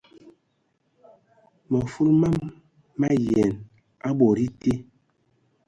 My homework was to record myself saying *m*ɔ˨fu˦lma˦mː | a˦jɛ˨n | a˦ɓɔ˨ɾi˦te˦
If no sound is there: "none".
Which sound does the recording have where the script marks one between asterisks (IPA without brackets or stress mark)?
m